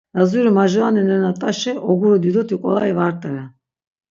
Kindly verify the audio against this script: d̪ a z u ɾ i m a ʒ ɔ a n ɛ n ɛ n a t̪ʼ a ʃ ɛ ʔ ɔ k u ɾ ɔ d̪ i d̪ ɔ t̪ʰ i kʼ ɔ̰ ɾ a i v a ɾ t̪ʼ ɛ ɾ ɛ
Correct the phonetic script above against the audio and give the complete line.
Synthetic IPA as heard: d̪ a z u ɾ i m a ʒ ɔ a n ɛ n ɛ n a t̪ʼ a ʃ ɛ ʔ ɔ ɡ u ɾ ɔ d̪ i d̪ ɔ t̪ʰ i kʼ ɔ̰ l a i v a ɾ t̪ʼ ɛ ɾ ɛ